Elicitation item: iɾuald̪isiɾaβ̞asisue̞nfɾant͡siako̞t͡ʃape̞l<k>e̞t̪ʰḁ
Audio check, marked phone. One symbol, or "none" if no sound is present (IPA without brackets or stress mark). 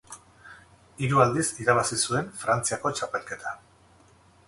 k